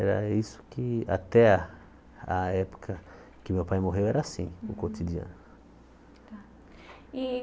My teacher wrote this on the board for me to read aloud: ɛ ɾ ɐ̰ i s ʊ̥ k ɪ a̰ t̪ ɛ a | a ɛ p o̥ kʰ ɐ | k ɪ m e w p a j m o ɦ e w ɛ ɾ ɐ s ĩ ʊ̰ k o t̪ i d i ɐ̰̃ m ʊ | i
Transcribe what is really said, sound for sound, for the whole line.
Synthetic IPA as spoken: ɛ ɾ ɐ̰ i s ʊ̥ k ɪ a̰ t̪ ɛ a | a ɛ p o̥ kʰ ɐ | k ɪ m e w p a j m o ɦ e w ɛ ɾ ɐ s ĩ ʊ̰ k o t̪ i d i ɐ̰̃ n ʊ | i